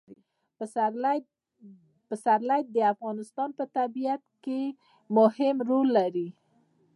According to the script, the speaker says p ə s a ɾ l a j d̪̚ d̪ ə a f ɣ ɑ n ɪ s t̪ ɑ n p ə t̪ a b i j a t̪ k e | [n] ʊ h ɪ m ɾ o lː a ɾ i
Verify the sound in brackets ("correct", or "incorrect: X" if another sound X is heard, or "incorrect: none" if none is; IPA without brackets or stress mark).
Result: incorrect: m